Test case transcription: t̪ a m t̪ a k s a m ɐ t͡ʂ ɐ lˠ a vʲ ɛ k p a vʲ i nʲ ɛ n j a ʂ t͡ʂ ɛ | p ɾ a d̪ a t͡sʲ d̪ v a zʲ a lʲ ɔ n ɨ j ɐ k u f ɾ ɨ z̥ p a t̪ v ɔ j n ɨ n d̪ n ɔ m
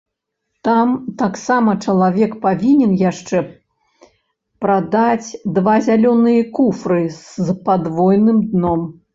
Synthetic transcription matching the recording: t̪ a m t̪ a k s a m ɐ t͡ʂ ɐ lˠ a vʲ ɛ k p a vʲ i nʲ ɛ n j a ʂ t͡ʂ ɛ | p ɾ a d̪ a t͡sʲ d̪ v a zʲ a lʲ ɔ n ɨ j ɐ k u f ɾ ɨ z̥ p a d̪ v ɔ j n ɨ m d̪ n ɔ m

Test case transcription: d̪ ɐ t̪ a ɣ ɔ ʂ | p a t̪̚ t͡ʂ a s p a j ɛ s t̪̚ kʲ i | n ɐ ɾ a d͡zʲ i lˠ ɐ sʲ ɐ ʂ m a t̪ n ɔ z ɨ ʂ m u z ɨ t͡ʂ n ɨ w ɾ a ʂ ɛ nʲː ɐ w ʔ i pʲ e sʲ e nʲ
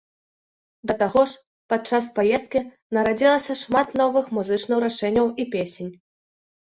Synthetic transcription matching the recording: d̪ ɐ t̪ a ɣ ɔ ʂ | p a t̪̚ t͡ʂ a s p a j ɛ s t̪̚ kʲ i | n ɐ ɾ a d͡zʲ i lˠ ɐ sʲ ɐ ʂ m a t̪ n ɔ v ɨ x m u z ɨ t͡ʂ n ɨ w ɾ a ʂ ɛ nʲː ɐ w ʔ i pʲ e sʲ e nʲ

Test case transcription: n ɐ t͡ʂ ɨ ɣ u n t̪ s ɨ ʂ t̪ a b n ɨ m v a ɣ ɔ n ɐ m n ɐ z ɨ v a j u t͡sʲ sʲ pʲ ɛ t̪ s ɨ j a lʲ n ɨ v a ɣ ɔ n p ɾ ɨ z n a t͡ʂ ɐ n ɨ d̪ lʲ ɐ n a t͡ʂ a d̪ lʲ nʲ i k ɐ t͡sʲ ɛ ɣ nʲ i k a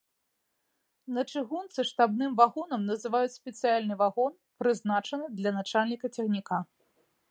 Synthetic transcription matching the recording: n ɐ t͡ʂ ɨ ɣ u n t̪ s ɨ ʂ t̪ a b n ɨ m v a ɣ ɔ n ɐ m n ɐ z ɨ v a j u t͡sʲ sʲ pʲ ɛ t̪ s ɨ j a lʲ n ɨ v a ɣ ɔ n p ɾ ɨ z n a t͡ʂ ɐ n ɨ d̪ lʲ ɐ n a t͡ʂ a lʲ nʲ i k ɐ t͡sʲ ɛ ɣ nʲ i k a

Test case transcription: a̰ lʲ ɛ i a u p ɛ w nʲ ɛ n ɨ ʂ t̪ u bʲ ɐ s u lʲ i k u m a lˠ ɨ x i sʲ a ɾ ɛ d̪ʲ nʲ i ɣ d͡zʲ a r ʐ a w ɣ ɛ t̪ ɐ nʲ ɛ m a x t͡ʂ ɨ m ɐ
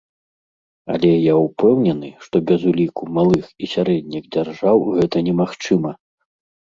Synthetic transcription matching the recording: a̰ lʲ ɛ j a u p ɛ w nʲ ɛ n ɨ ʂ t̪ ɔ bʲ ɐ z u lʲ i k u m a lˠ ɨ x i sʲ a ɾ ɛ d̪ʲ nʲ i ɣ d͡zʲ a r ʐ a w ɣ ɛ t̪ ɐ nʲ ɛ m a x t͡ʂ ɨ m ɐ

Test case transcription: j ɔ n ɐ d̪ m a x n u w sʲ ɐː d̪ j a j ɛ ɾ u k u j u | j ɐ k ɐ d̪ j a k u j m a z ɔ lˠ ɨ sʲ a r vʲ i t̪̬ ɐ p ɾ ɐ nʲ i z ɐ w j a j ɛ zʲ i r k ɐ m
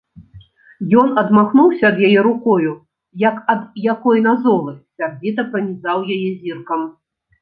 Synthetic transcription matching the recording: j ɔ n ɐ d̪ m a x n u w sʲ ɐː d̪ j a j ɛ ɾ u k ɔ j u | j ɐ k ɐ d̪ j a k ɔ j n a z ɔ lˠ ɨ sʲ a r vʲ i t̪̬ ɐ p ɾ ɐ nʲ i z a w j a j ɛ zʲ i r k ɐ m

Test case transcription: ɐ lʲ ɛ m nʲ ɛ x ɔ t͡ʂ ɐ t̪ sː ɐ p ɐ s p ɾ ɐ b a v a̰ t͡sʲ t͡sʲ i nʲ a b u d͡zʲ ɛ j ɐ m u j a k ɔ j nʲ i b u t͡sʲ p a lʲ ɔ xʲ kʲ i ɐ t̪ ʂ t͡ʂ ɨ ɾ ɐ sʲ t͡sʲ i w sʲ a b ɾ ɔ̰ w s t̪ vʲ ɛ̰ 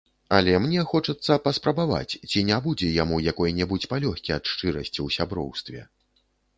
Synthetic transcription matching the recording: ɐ lʲ ɛ m nʲ ɛ x ɔ t͡ʂ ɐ t̪ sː ɐ p ɐ s p ɾ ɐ b a v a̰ t͡sʲ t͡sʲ i nʲ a b u d͡zʲ ɛ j a m u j a k ɔ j nʲ ɛ b u t͡sʲ p a lʲ ɔ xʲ kʲ i ɐ t̪ ʂ t͡ʂ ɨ ɾ ɐ sʲ t͡sʲ i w sʲ a b ɾ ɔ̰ w s t̪ vʲ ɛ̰

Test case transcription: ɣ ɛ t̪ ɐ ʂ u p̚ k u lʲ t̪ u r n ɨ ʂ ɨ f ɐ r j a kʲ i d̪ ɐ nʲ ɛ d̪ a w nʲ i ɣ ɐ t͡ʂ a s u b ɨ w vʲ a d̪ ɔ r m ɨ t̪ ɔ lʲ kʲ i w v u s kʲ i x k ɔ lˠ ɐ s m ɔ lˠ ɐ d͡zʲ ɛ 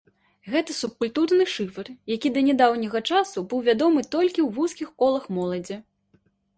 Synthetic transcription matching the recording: ɣ ɛ t̪ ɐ s u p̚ k u lʲ t̪ u r n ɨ ʂ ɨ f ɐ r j a kʲ i d̪ ɐ nʲ ɛ d̪ a w nʲ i ɣ ɐ t͡ʂ a s u b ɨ w vʲ a d̪ ɔ m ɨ t̪ ɔ lʲ kʲ i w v u s kʲ i x k ɔ lˠ ɐ x m ɔ lˠ ɐ d͡zʲ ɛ

